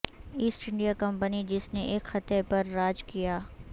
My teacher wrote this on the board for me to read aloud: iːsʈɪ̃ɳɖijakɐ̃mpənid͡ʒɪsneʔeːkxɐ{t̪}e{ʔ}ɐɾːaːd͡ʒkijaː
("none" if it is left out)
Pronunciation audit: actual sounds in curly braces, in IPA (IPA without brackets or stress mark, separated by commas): t̪, p